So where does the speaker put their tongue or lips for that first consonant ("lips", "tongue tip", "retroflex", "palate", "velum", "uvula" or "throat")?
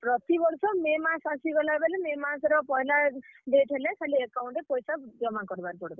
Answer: lips